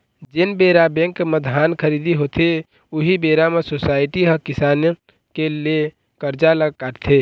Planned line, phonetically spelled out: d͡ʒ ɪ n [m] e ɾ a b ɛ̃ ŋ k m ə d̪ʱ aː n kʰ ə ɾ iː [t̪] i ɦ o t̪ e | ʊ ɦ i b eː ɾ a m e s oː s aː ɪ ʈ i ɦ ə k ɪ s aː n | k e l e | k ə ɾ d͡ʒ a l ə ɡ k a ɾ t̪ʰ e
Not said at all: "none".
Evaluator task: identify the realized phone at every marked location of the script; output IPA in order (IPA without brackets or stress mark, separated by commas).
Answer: b, d̪